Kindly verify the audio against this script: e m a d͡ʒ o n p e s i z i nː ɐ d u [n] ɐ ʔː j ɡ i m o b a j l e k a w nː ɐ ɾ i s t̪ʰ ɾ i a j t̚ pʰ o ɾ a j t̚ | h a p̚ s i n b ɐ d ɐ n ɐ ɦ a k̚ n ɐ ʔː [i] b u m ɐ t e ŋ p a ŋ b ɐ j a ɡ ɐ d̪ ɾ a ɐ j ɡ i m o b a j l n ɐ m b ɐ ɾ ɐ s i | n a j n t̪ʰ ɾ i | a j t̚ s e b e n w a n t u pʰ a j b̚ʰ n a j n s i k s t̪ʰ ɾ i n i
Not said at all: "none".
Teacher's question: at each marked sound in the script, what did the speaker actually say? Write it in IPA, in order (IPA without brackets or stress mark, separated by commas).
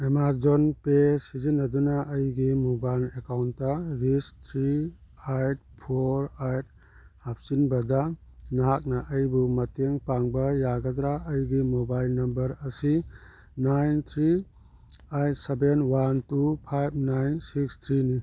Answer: n, j